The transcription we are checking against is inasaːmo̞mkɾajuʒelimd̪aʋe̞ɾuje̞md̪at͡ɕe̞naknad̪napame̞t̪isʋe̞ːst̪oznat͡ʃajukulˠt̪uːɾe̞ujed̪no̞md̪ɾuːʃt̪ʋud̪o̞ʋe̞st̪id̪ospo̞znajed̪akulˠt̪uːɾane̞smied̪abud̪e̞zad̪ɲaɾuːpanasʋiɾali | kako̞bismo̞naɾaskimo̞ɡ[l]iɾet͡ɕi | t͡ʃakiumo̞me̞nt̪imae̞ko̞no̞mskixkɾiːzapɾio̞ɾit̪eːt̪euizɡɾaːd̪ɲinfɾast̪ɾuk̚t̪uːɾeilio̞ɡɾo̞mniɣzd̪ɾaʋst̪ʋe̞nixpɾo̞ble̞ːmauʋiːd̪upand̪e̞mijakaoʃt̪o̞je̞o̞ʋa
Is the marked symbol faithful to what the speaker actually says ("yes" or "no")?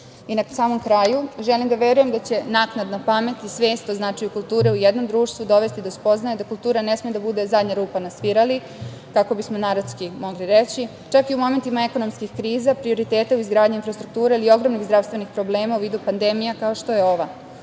yes